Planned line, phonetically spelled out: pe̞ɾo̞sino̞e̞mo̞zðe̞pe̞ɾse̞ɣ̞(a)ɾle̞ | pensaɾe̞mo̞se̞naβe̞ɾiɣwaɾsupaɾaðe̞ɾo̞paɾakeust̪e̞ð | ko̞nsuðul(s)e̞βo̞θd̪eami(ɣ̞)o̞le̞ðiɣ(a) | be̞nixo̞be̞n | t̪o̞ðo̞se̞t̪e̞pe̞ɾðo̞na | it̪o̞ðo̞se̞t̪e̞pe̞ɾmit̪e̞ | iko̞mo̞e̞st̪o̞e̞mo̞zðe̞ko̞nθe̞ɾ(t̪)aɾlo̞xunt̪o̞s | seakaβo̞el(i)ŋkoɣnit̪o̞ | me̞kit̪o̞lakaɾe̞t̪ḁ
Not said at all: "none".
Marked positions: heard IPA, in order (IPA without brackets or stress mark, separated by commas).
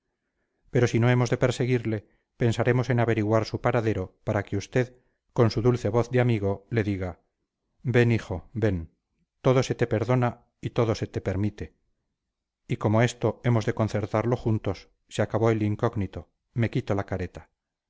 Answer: i, θ, ɣ̞, a, t̪, i